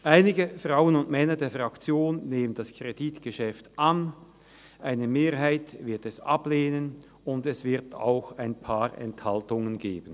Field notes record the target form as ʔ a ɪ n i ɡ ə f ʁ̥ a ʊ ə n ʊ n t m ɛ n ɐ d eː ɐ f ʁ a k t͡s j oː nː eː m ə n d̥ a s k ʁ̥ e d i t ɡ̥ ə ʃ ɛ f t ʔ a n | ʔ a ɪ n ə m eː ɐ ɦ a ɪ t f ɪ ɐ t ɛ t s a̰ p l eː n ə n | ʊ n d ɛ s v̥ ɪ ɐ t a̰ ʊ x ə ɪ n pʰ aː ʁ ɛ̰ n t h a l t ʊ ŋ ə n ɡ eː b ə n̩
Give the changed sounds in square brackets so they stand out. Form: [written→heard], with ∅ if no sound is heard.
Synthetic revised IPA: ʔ a ɪ n [i→ɪ] ɡ ə f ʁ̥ a ʊ ə n ʊ n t m ɛ n ɐ d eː ɐ f ʁ a k t͡s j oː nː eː m ə n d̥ a s k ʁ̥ e d i t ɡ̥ ə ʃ ɛ f t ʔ a n | ʔ a ɪ n ə m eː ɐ ɦ a ɪ t [f→v] ɪ ɐ t ɛ [t→∅] s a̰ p l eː n ə n | ʊ n d ɛ s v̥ ɪ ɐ t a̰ ʊ x [ə→a] ɪ n pʰ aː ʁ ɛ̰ n t h a l t ʊ ŋ ə n ɡ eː b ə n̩

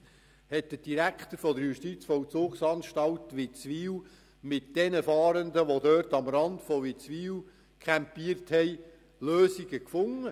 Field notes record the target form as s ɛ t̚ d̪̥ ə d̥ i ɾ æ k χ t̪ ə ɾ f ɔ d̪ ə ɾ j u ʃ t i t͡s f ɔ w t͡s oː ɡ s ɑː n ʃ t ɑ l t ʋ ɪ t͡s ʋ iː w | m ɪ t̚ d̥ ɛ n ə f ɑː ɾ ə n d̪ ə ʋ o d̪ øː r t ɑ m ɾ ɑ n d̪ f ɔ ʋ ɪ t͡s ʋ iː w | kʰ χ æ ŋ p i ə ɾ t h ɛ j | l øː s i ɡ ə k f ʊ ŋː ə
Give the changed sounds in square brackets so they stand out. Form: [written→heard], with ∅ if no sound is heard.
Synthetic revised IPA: [s→h] ɛ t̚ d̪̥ ə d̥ i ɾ æ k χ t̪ ə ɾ f ɔ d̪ ə ɾ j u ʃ t i t͡s f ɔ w t͡s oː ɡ s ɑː n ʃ t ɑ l t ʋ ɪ t͡s ʋ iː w | m ɪ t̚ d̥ ɛ n ə f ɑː ɾ ə n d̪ ə ʋ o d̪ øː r t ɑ m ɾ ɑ n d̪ f ɔ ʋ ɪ t͡s ʋ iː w | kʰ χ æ [ŋ→m] p i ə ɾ t h ɛ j | l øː s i ɡ ə k f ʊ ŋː ə

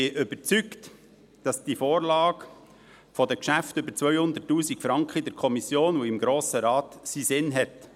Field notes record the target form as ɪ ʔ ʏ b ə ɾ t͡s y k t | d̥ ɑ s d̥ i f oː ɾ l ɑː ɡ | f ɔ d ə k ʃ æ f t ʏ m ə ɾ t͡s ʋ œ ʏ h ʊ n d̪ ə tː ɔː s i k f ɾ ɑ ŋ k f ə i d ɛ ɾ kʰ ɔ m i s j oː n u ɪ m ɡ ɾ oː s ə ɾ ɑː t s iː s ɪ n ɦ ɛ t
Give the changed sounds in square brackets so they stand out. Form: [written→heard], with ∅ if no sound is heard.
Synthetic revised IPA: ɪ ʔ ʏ b ə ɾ t͡s y k t | d̥ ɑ s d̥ i f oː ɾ l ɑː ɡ | f ɔ d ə k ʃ æ f t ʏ [m→b] ə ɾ t͡s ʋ œ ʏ h ʊ n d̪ ə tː [ɔː→uː] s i k f ɾ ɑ ŋ k [f→χ] ə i d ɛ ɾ kʰ ɔ m i s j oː n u ɪ m ɡ ɾ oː s ə ɾ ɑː t s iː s ɪ n ɦ ɛ t

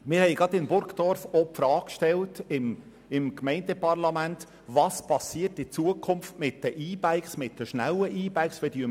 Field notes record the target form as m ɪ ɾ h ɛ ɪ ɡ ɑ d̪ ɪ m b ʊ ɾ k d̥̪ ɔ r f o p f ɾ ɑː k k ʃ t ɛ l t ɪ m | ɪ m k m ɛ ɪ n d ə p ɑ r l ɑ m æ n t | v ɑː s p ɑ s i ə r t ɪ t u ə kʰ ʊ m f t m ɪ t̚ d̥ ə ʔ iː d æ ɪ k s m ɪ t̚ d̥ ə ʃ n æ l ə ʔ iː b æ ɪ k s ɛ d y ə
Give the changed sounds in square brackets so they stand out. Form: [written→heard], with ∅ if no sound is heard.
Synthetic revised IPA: m ɪ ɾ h ɛ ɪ ɡ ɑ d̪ ɪ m b ʊ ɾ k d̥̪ ɔ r f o p f ɾ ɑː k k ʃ t ɛ l t ɪ m | ɪ m k m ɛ ɪ n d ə p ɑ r l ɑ m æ n t | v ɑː s p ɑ s i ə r t ɪ [t→t͡s] u ə kʰ ʊ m f t m ɪ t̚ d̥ ə ʔ iː [d→b] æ ɪ k s m ɪ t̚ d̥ ə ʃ n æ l ə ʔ iː b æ ɪ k s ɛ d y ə

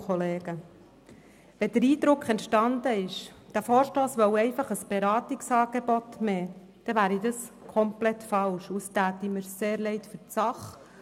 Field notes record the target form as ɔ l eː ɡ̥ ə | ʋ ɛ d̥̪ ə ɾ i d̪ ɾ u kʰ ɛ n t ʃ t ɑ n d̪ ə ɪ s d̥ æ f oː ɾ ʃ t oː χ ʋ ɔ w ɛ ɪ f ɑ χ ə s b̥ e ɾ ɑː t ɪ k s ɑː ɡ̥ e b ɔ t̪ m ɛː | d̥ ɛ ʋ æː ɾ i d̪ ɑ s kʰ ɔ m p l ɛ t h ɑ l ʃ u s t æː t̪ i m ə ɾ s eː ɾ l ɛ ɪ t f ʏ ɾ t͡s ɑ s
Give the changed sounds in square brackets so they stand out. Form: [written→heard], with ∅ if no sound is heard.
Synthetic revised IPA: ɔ l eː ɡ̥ ə | ʋ ɛ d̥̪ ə ɾ [i→iː] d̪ ɾ [u→ʊ] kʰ ɛ n t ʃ t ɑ n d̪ ə ɪ [s→ʃ] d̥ æ f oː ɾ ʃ t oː [χ→s] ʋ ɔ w ɛ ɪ f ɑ χ ə s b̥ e ɾ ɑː t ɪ k s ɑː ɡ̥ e b ɔ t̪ m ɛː | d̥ ɛ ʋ æː ɾ i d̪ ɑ s kʰ ɔ m p l ɛ t [h→f] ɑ l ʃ u s t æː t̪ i m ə ɾ s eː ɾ l ɛ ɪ t f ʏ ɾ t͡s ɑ [s→χ]

